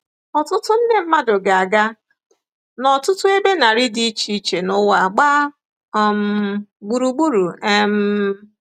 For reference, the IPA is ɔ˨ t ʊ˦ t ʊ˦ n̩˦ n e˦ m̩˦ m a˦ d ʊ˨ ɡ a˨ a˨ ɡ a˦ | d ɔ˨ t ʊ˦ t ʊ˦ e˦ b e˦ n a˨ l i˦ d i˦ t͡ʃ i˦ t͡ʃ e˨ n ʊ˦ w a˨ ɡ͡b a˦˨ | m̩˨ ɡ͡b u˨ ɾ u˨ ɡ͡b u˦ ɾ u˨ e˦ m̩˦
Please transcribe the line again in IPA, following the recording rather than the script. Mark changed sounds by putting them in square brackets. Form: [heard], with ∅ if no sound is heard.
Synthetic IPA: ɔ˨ t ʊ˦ t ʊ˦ n̩˦ n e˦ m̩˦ m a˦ d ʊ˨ ɡ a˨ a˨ ɡ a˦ | [n] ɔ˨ t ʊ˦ t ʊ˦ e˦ b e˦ n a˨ [ɾ] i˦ d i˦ t͡ʃ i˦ t͡ʃ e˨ n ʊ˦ w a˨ ɡ͡b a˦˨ | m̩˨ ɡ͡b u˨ ɾ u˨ ɡ͡b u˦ ɾ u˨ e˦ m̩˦